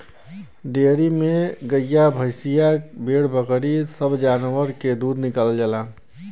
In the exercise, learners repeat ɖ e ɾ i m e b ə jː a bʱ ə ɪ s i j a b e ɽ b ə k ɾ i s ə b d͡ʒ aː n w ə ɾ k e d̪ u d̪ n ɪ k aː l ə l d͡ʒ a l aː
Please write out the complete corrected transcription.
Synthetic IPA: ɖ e ɾ i m e ɡ ə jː a bʱ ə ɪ s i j a b e ɽ b ə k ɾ i s ə b d͡ʒ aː n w ə ɾ k e d̪ u d̪ n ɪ k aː l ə l d͡ʒ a l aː